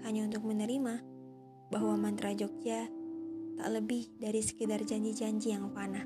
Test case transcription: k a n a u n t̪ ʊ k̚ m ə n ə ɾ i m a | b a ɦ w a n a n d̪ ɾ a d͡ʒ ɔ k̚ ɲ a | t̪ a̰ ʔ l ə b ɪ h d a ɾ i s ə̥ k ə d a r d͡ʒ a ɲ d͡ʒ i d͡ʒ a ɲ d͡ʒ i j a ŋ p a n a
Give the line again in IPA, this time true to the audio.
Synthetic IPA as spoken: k a ɲ a u n t̪ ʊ k̚ m ə n ə ɾ i m a | b a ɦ w a m a n t̪ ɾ a d͡ʒ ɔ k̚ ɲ a | t̪ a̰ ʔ l ə b ɪ h d a ɾ i s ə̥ k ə d a r d͡ʒ a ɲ d͡ʒ i d͡ʒ a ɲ d͡ʒ i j a ŋ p a n a